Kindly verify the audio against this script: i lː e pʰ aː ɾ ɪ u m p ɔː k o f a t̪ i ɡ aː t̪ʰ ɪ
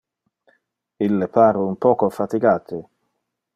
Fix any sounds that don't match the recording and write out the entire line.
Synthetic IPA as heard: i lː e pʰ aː ɾ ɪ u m p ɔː k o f a t̪ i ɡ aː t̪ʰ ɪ